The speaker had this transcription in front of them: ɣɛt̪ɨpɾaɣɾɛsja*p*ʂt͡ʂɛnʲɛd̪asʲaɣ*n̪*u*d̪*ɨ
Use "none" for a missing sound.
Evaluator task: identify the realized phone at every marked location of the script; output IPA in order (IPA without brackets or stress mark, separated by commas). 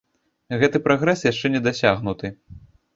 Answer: none, n̪, t̪